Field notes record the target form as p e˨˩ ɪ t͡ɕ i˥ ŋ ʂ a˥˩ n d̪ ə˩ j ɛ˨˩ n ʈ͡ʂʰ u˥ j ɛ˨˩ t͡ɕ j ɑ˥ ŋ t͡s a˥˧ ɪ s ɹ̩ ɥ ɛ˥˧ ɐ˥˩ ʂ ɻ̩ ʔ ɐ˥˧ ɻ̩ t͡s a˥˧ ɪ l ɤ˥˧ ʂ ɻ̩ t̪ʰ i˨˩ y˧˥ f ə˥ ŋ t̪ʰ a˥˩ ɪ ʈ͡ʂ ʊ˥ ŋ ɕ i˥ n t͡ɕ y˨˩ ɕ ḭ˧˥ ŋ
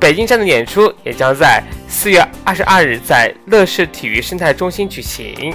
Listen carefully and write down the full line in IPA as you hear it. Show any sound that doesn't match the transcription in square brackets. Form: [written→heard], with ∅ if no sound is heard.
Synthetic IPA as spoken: p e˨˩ ɪ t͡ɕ i˥ ŋ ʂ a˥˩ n d̪ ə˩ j ɛ˨˩ n ʈ͡ʂʰ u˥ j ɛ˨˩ t͡ɕ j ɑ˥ ŋ t͡s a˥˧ ɪ s ɹ̩ ɥ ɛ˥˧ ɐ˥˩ ʂ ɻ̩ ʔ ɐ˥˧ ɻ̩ t͡s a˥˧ ɪ l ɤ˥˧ ʂ ɻ̩ t̪ʰ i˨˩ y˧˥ [f→ʂ] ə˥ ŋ t̪ʰ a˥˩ ɪ ʈ͡ʂ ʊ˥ ŋ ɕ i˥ n t͡ɕ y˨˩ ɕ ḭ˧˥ ŋ